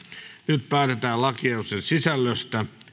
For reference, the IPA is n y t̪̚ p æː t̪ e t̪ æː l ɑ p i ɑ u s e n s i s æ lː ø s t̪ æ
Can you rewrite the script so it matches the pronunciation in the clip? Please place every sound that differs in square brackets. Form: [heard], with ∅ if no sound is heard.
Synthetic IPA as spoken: n y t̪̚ p æː t̪ e t̪ æː l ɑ [k] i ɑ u s e n s i s æ lː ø s t̪ æ